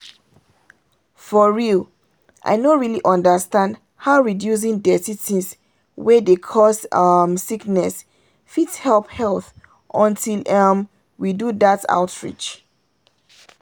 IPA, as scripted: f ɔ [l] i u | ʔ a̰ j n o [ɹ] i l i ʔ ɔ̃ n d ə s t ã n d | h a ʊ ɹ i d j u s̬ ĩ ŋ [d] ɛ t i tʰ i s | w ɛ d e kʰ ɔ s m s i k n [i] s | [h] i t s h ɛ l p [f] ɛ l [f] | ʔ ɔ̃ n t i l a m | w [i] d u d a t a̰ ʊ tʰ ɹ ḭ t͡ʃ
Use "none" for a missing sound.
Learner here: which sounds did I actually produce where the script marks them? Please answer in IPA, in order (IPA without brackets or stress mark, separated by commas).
ɹ, ɹ, d, ɛ, f, h, θ, i